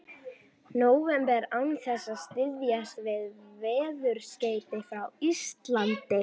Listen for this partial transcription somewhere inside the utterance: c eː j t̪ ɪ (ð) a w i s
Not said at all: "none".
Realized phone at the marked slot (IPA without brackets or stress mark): θ